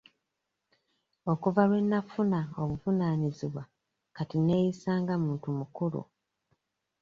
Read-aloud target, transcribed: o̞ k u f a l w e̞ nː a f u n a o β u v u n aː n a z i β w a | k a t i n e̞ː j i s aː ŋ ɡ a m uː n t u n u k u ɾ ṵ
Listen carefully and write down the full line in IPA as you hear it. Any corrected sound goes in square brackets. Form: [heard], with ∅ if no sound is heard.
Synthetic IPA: o̞ k u [v] a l w e̞ nː a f u n a o β u v u n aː n [i] z i β w a | k a t i n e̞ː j i s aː ŋ ɡ a m uː n t u [m] u k u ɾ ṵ